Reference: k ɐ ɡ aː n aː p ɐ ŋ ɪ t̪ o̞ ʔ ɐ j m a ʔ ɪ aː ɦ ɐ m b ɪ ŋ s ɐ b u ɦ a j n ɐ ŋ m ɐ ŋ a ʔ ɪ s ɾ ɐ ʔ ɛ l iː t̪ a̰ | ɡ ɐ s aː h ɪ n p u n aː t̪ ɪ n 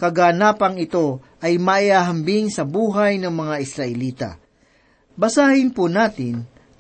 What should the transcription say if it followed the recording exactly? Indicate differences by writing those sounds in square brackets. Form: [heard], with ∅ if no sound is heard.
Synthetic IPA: k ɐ ɡ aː n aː p ɐ ŋ ɪ t̪ o̞ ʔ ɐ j m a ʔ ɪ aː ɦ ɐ m b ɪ ŋ s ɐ b [uː] ɦ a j n ɐ ŋ m ɐ ŋ a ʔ ɪ s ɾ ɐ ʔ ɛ l iː t̪ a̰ | [b] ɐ s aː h ɪ n p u n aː t̪ ɪ n